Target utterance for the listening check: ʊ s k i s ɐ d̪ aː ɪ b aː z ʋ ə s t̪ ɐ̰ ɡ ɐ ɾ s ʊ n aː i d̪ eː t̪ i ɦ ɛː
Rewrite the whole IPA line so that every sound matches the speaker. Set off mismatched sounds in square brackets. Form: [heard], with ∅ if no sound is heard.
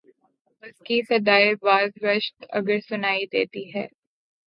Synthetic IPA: ʊ s k i s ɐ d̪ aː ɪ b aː z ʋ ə [ʃ] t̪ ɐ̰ ɡ [ə] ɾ s ʊ n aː i d̪ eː t̪ i ɦ ɛː